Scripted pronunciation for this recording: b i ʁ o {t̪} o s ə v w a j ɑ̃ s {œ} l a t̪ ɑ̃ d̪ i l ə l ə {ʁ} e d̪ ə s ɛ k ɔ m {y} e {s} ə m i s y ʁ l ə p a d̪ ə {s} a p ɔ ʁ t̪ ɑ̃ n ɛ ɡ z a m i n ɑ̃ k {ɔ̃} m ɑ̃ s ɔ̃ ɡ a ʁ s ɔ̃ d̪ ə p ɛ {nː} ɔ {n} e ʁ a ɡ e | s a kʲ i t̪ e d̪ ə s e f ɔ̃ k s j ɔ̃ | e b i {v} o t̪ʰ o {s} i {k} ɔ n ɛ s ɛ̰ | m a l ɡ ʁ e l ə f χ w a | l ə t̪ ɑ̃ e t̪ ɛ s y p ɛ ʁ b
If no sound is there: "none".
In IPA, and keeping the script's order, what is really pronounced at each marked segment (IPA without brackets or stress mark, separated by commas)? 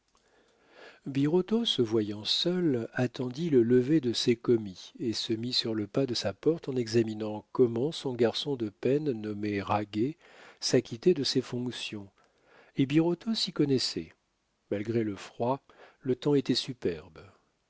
t̪, œ, v, i, s, s, ɔ, nː, m, ʁ, s, k